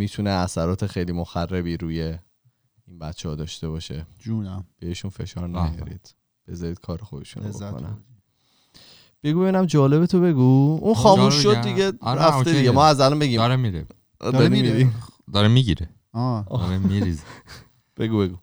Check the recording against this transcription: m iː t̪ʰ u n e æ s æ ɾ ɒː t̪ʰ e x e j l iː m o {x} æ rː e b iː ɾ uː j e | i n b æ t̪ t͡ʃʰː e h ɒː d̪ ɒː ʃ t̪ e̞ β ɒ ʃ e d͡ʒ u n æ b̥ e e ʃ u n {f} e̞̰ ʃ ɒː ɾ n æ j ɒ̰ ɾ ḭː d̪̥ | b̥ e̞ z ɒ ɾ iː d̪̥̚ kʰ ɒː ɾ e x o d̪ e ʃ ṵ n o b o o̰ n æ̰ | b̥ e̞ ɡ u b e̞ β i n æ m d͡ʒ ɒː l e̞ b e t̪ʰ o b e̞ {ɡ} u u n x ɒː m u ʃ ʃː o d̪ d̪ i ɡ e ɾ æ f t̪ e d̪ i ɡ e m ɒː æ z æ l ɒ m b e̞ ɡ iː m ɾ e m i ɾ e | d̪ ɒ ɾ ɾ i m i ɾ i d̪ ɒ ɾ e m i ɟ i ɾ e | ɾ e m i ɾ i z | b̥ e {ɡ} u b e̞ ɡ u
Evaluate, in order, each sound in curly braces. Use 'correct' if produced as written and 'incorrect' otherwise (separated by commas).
correct, correct, correct, correct